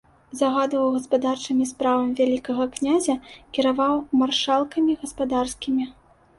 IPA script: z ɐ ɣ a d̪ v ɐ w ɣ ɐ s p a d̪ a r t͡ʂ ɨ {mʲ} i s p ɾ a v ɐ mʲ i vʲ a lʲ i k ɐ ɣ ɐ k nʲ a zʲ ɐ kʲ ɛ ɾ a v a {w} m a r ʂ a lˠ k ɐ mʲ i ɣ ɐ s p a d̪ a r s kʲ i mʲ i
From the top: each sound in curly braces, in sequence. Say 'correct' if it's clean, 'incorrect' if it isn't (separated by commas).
correct, correct